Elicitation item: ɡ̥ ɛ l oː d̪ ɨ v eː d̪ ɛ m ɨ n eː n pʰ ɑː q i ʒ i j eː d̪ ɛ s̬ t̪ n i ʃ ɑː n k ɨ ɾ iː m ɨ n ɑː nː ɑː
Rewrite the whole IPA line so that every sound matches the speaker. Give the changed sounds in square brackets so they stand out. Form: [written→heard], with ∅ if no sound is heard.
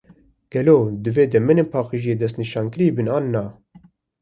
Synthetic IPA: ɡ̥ ɛ l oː d̪ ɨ v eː d̪ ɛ m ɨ n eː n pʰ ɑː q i ʒ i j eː d̪ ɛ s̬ t̪ n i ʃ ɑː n k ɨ ɾ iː [m→b] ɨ n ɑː nː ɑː